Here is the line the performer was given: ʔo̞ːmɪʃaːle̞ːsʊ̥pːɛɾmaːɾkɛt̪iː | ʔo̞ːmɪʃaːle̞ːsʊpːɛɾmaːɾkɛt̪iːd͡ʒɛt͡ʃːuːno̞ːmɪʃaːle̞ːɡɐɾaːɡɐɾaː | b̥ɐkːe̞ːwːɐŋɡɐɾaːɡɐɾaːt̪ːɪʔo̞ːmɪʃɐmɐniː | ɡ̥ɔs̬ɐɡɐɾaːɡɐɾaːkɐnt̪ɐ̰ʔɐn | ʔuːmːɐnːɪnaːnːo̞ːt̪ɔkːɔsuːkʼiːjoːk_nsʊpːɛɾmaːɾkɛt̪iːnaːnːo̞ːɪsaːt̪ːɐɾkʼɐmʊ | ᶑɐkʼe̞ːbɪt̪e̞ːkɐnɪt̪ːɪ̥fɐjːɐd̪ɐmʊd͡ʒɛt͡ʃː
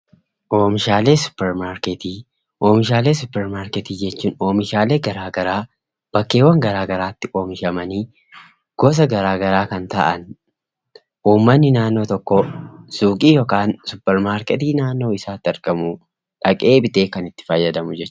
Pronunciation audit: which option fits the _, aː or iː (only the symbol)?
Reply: aː